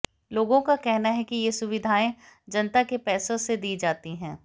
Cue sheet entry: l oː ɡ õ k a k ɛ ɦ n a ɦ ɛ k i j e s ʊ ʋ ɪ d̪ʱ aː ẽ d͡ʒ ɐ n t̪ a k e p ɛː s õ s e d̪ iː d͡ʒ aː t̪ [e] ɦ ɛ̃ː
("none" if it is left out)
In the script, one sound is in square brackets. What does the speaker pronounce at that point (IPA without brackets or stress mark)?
i